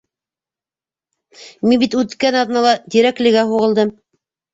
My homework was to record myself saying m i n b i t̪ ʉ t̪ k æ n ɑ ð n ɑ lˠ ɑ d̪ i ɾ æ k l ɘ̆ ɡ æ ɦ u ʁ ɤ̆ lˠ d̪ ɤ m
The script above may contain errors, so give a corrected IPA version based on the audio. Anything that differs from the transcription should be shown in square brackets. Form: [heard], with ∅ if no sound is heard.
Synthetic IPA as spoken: m i n b i t̪ ʉ t̪ k æ n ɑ ð n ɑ lˠ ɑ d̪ i ɾ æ k l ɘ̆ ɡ æ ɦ u ʁ ɤ̆ lˠ d̪ ɤ m